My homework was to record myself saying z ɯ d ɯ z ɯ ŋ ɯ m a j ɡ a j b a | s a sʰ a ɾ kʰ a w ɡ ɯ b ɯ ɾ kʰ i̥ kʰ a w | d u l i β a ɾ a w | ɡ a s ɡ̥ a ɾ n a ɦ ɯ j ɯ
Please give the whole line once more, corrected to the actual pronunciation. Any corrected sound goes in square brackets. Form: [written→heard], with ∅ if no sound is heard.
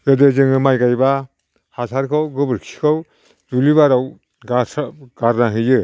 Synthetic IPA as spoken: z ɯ d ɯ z ɯ ŋ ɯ m a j ɡ a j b a | [s→h] a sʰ a ɾ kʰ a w ɡ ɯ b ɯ ɾ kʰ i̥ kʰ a w | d u l i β a ɾ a w | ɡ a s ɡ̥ a ɾ n a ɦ ɯ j ɯ